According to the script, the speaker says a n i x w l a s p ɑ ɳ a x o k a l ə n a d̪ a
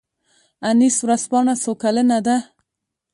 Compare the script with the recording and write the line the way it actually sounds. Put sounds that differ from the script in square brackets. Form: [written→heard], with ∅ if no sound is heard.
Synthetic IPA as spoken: a n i [x→s] w [l→ɾ] a s p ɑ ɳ a [x→s] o k a l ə n a d̪ a